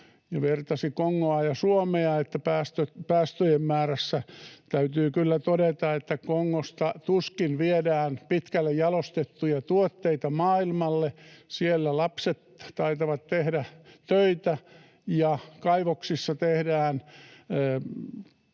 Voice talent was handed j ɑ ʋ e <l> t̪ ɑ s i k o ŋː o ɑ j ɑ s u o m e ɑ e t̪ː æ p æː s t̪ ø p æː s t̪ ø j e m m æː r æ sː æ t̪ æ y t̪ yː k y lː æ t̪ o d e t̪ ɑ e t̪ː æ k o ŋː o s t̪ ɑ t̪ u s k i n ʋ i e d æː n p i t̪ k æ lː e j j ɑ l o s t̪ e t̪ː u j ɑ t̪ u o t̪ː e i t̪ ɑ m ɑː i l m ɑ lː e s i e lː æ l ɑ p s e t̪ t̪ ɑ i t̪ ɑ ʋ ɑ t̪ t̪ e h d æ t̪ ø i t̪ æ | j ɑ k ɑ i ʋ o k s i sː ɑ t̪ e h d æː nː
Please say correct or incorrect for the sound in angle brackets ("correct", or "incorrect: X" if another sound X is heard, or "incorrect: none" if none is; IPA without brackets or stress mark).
incorrect: r